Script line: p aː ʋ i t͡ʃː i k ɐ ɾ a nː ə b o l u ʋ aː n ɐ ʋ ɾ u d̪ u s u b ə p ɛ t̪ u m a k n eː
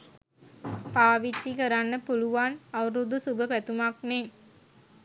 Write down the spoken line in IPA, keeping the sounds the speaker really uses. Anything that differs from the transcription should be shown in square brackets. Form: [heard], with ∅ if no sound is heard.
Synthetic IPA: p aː ʋ i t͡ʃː i k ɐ ɾ a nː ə [p] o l u ʋ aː n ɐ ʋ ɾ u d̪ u s u b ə p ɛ t̪ u m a k n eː